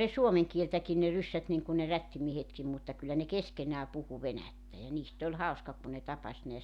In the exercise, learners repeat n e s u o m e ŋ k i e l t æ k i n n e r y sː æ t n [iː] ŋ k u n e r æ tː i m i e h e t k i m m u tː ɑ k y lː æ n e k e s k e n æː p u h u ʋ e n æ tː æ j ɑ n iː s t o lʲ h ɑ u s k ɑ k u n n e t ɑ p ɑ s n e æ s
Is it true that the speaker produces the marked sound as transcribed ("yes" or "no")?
no